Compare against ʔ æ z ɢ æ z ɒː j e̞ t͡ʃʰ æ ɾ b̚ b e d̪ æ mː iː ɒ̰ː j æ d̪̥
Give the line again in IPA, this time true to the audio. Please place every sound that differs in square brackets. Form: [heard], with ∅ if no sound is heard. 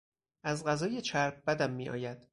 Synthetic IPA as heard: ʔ æ z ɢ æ z ɒː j e̞ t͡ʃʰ æ ɾ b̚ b [æ] d̪ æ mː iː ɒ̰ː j æ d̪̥